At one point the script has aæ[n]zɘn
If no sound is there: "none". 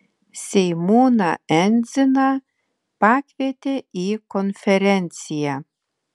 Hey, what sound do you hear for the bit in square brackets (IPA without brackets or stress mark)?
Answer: n